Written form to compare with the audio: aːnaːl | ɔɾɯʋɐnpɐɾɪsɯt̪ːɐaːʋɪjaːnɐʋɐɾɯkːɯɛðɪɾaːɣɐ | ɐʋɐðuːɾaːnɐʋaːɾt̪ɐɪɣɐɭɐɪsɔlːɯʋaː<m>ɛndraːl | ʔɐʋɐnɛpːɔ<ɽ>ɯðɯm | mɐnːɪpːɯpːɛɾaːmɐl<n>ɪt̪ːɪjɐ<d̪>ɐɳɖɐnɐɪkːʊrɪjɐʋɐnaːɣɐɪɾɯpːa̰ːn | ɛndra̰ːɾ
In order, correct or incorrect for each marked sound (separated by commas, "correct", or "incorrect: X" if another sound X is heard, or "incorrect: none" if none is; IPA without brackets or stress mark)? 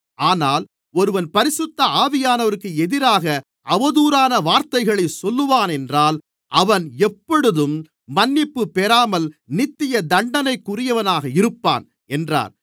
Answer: incorrect: n, correct, correct, correct